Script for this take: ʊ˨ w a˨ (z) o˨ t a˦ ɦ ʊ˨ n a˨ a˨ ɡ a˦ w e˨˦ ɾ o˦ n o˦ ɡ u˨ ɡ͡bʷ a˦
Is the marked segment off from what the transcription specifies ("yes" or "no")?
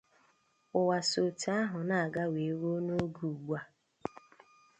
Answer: yes